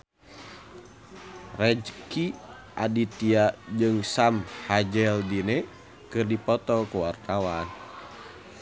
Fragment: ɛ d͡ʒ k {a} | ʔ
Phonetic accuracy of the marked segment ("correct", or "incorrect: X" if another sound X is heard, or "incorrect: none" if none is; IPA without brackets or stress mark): incorrect: i